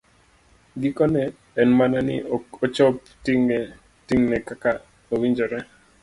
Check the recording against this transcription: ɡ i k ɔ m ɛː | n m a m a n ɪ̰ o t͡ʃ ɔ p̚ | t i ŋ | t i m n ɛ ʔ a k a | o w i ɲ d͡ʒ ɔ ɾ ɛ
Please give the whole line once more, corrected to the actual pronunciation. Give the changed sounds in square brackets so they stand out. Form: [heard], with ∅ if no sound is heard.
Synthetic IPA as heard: ɡ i k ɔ [n] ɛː | n m a [n] a n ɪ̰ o t͡ʃ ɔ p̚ | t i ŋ | t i [ŋ] n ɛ [k] a k a | o w i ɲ d͡ʒ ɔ ɾ ɛ